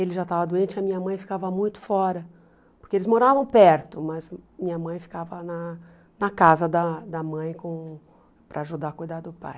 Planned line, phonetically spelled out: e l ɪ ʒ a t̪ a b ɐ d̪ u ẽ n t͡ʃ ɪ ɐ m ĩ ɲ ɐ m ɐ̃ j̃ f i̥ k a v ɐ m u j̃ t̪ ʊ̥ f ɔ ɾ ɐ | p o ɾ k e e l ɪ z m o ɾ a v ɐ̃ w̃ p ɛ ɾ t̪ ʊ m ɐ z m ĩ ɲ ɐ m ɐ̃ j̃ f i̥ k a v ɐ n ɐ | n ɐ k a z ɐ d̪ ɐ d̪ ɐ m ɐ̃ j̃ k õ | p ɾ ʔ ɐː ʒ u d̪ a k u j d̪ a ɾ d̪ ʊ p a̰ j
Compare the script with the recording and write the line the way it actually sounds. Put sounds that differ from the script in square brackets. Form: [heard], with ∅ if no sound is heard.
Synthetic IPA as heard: e l ɪ ʒ a t̪ a [v] ɐ d̪ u ẽ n t͡ʃ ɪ ɐ m ĩ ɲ ɐ m ɐ̃ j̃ f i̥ k a v ɐ m [ũ] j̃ t̪ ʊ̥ f ɔ ɾ ɐ | p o ɾ k e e l ɪ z m o ɾ a v ɐ̃ w̃ p ɛ ɾ t̪ ʊ m ɐ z m ĩ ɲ ɐ m ɐ̃ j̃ f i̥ k a v ɐ n ɐ | n ɐ k a z ɐ d̪ ɐ d̪ ɐ m ɐ̃ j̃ k õ | p ɾ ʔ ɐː ʒ u d̪ a k u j d̪ a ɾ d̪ ʊ p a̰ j